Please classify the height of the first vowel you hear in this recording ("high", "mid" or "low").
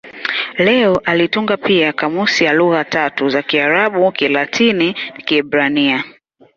mid